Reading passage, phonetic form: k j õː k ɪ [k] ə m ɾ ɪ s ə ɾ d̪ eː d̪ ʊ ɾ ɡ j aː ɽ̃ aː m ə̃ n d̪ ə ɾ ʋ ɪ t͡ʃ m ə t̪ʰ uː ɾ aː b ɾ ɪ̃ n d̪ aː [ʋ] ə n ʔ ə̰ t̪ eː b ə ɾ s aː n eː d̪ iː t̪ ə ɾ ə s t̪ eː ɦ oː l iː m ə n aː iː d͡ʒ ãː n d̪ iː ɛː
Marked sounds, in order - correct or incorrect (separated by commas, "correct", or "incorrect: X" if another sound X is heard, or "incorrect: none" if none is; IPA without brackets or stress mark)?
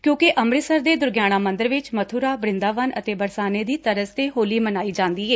incorrect: ʔ, correct